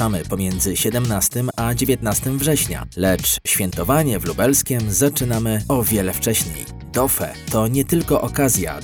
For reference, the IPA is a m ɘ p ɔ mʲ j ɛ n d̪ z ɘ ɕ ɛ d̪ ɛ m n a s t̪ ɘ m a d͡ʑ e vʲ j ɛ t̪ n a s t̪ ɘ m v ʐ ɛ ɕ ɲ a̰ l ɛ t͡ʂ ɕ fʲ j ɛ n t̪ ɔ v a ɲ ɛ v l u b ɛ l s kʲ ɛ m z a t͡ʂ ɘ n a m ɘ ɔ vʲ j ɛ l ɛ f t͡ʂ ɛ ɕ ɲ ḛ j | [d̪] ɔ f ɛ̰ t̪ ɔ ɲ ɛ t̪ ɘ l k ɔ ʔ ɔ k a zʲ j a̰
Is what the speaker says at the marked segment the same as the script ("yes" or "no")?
yes